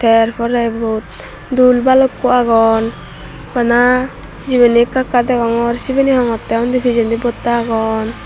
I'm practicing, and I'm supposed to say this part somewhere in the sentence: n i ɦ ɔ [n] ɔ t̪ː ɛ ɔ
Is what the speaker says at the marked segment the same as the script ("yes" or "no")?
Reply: no